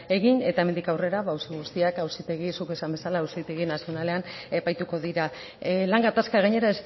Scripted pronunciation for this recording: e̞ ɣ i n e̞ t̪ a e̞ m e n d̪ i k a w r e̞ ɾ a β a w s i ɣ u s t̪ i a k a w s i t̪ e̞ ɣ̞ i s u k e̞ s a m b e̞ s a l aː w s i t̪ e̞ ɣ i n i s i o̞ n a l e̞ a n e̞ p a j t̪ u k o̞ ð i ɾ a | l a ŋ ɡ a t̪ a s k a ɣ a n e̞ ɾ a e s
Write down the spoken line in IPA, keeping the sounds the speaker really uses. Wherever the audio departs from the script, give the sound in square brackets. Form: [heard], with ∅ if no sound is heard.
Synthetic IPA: e̞ ɣ i n e̞ t̪ a e̞ m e n d̪ i k a w r e̞ ɾ a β a w s i ɣ u s t̪ i a k a w s i t̪ e̞ ɣ̞ i s u k e̞ s a m b e̞ s a l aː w s i t̪ e̞ ɣ i n [a] s i o̞ n a l e̞ a n e̞ p a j t̪ u k o̞ ð i ɾ a | l a ŋ ɡ a t̪ a s k a ɣ a [ɲ] e̞ ɾ a e s